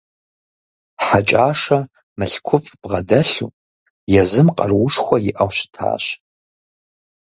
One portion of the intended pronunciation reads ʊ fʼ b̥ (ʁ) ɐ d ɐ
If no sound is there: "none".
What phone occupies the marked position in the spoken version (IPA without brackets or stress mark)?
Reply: ʁ